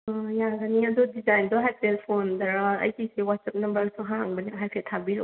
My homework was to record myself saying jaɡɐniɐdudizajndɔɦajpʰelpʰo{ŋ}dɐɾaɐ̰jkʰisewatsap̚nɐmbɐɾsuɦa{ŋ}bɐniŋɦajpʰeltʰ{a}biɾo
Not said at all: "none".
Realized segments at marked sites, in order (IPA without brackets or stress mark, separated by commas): n, ŋ, a